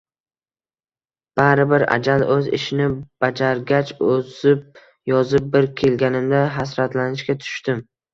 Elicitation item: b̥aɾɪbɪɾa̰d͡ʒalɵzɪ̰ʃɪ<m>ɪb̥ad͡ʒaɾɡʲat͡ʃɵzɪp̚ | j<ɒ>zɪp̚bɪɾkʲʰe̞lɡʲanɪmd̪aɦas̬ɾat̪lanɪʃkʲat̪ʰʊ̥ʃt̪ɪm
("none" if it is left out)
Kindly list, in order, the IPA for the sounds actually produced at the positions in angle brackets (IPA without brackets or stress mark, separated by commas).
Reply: n, ɒ